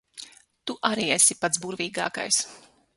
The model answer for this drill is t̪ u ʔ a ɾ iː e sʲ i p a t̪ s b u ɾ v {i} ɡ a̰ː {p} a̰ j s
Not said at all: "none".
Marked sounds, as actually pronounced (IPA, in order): iː, k

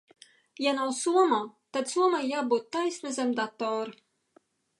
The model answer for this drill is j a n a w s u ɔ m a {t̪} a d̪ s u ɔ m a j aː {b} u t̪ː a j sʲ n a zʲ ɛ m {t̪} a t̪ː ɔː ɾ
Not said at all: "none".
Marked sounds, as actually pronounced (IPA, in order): t̪, b, d̪

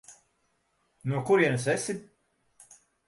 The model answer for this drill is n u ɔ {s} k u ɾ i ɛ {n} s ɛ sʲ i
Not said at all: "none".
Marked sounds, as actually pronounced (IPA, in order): none, n

